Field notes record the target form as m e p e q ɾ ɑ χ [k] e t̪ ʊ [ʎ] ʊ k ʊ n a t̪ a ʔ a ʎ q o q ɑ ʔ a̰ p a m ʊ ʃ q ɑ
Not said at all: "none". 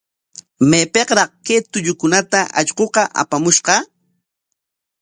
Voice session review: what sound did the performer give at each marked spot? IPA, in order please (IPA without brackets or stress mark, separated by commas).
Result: k, ʎ